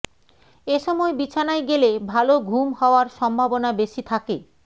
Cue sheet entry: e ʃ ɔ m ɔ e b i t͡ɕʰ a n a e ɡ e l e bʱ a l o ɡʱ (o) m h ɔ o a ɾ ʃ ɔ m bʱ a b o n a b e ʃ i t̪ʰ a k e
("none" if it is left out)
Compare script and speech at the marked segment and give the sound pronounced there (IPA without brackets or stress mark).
u